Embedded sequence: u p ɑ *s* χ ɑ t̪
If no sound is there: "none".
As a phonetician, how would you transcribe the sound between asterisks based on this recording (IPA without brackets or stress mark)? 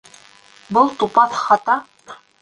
θ